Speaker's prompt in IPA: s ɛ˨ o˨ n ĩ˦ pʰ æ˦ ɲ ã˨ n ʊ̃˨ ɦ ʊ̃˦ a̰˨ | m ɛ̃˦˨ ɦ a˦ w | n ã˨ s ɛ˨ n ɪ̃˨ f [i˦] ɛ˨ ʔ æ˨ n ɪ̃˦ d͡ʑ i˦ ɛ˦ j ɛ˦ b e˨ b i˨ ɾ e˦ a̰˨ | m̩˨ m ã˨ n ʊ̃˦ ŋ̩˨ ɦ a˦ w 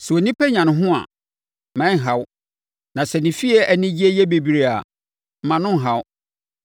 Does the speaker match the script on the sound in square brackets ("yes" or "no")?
yes